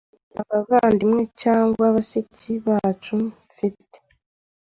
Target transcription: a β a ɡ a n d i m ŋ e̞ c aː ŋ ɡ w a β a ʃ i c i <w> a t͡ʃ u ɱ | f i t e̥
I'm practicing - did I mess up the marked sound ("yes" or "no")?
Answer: yes